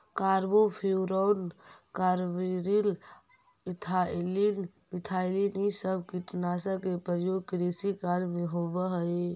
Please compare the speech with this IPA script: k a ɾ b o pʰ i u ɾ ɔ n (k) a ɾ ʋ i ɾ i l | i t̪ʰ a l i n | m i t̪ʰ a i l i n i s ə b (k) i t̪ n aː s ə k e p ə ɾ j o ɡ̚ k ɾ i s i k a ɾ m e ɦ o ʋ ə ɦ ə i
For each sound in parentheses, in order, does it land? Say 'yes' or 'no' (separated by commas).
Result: yes, yes